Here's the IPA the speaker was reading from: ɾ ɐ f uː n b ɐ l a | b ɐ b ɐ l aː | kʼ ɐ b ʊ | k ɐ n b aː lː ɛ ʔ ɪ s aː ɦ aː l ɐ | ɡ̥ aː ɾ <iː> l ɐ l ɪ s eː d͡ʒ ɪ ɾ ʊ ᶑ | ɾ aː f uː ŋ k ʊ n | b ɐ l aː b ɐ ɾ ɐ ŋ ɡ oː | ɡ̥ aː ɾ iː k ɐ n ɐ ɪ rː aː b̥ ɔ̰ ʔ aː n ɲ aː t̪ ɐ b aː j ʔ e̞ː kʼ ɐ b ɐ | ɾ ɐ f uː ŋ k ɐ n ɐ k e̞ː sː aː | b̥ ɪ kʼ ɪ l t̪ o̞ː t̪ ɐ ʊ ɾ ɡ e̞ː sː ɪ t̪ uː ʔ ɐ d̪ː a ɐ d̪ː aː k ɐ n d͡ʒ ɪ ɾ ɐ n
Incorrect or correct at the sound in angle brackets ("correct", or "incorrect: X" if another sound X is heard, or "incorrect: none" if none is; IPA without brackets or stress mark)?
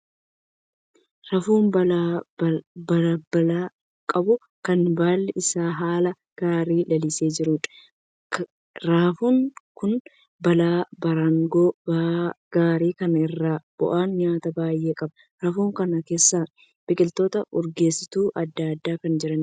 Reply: correct